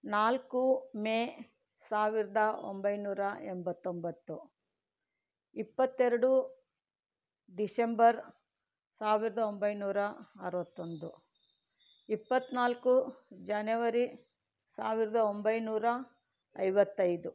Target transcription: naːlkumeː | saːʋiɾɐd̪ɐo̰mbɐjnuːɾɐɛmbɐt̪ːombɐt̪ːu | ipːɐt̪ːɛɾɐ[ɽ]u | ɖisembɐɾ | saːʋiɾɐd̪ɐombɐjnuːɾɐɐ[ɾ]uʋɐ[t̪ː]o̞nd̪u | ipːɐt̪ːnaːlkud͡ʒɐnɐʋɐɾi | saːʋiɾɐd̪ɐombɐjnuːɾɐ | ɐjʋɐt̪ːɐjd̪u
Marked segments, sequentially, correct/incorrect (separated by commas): correct, correct, correct